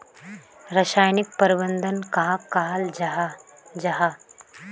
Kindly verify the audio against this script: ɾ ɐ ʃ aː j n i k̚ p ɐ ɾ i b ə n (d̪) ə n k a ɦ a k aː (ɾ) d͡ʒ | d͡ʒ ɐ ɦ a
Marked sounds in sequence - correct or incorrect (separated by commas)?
correct, incorrect